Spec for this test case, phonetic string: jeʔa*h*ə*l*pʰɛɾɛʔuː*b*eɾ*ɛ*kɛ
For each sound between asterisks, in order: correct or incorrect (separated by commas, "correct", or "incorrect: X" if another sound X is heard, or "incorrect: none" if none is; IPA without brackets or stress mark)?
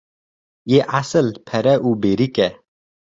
incorrect: s, correct, correct, incorrect: i